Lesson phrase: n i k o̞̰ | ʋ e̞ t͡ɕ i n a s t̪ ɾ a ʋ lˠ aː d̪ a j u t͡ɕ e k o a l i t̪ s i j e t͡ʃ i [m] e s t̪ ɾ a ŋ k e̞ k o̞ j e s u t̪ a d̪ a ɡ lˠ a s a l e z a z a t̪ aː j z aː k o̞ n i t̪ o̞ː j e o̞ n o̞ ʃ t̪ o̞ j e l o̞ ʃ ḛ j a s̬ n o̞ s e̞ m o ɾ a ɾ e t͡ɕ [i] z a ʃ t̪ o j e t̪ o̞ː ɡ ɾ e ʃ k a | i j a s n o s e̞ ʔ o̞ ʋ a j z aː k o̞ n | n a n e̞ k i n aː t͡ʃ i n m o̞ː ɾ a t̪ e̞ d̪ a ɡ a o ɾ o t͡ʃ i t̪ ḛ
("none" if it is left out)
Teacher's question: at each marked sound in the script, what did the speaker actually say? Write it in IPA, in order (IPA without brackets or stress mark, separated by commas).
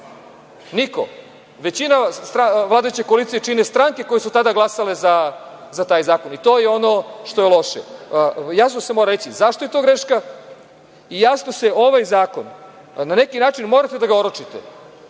n, i